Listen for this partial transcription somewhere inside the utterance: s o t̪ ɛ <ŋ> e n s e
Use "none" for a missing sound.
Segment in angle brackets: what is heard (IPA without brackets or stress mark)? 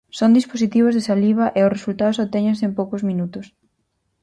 ɲ